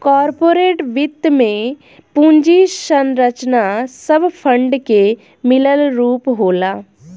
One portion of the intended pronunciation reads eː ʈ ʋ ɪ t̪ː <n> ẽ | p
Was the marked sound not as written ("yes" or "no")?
yes